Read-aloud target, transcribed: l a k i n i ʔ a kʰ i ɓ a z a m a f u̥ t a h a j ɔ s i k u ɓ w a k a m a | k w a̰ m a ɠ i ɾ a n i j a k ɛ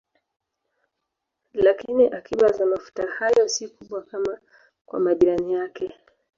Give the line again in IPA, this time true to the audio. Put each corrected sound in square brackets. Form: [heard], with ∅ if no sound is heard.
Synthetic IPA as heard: l a k i n i ʔ a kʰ i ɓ a z a m a f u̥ t a h a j ɔ s i k u ɓ w a k a m a | k w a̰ m a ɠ i ɾ a n i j a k ɛ